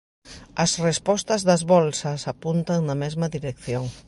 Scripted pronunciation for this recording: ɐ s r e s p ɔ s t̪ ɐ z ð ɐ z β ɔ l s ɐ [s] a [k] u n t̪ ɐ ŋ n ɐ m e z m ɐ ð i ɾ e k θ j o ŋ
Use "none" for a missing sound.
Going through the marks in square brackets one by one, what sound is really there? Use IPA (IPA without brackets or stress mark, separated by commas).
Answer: s, p